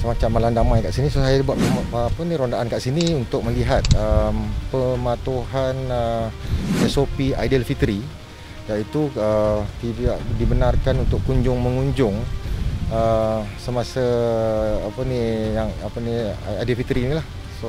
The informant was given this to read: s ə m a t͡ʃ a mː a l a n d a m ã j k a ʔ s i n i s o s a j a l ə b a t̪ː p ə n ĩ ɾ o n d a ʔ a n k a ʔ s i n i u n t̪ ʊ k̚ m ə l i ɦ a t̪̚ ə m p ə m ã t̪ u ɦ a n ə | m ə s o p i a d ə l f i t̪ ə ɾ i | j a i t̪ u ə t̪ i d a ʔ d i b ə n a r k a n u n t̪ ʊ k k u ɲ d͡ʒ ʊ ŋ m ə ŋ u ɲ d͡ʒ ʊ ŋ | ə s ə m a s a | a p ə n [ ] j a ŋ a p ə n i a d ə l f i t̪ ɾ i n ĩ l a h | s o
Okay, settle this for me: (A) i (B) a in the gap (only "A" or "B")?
A